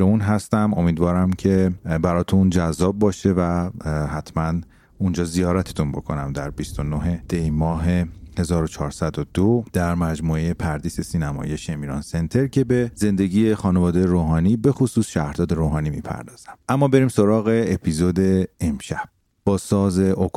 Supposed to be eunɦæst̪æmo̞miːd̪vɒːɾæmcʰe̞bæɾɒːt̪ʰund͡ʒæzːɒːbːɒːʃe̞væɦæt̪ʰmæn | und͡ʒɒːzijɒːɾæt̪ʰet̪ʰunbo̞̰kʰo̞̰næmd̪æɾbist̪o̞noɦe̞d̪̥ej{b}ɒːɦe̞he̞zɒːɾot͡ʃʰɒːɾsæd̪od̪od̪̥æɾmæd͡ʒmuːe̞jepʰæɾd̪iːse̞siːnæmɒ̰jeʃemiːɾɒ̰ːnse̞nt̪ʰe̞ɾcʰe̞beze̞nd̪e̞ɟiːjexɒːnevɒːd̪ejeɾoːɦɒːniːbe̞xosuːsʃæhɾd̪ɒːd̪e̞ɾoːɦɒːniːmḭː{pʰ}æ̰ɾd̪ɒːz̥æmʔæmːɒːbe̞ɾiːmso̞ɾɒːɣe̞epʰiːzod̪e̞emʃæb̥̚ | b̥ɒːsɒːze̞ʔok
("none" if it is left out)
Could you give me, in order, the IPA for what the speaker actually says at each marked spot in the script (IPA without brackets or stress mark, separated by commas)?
m, pʰ